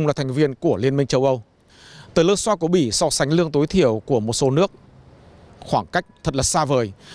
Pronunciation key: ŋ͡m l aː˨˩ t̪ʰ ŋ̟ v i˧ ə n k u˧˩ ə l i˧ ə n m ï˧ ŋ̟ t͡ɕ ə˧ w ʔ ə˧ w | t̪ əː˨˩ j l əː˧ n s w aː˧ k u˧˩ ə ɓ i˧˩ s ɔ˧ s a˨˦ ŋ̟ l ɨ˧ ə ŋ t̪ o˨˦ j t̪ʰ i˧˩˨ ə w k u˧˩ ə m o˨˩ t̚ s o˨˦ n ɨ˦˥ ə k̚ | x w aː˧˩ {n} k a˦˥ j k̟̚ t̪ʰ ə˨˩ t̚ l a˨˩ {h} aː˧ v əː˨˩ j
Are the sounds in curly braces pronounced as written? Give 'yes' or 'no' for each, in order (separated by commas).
no, no